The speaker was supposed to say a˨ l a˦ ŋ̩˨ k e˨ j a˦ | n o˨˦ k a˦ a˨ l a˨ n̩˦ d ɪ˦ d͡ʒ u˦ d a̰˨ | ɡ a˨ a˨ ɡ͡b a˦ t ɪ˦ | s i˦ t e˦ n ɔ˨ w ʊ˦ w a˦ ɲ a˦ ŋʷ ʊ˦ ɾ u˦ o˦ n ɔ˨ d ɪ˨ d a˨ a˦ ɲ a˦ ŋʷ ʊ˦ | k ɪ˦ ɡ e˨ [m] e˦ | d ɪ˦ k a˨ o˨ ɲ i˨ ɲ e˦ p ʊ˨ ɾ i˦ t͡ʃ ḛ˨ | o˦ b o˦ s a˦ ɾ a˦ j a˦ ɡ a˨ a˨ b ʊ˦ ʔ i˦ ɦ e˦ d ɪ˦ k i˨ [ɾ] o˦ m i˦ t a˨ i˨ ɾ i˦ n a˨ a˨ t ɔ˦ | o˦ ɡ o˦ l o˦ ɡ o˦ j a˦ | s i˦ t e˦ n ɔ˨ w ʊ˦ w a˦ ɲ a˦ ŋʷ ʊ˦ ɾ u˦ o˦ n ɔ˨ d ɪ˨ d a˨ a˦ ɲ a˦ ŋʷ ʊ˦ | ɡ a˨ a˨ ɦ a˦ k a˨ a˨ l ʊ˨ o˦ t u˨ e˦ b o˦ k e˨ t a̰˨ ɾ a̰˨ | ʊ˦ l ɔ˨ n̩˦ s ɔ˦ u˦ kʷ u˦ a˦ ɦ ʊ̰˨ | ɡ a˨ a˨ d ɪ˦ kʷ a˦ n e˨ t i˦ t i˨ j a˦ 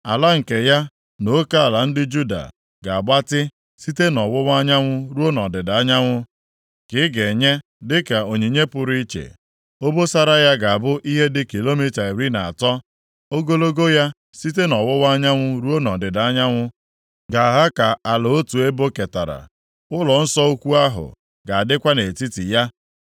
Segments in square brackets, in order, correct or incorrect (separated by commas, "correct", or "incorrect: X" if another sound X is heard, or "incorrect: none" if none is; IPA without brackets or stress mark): incorrect: ɲ, incorrect: l